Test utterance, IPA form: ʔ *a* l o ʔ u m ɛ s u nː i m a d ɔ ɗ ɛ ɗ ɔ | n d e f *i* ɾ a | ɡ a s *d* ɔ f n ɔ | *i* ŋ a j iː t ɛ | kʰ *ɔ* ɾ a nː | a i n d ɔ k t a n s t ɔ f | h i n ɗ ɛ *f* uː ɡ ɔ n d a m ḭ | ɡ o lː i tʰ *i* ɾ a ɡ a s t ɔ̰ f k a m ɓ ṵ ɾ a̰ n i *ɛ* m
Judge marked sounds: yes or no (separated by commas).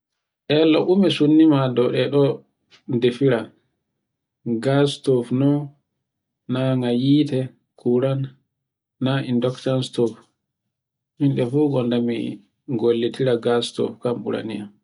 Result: no, yes, no, no, no, yes, yes, no